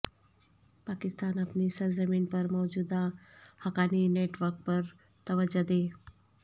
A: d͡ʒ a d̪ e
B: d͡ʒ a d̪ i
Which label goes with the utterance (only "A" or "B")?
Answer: A